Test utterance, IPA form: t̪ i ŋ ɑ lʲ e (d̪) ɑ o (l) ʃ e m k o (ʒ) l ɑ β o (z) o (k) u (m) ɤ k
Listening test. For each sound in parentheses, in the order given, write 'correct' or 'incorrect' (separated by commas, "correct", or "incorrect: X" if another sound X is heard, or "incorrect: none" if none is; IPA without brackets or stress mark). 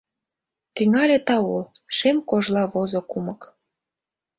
incorrect: t̪, correct, correct, correct, correct, correct